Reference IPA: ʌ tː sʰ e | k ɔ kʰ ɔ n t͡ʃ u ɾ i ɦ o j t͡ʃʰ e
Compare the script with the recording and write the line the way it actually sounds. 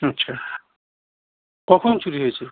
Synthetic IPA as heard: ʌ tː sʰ a | k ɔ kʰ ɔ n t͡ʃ u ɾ i ɦ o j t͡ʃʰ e